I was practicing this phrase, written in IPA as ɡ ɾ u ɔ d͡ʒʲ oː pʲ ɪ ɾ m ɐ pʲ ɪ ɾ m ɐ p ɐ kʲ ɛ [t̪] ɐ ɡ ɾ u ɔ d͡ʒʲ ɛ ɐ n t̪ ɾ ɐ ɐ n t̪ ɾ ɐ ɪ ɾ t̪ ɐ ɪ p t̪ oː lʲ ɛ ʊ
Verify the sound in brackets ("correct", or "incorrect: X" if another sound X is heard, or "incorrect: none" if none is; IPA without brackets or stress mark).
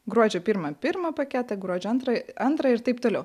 correct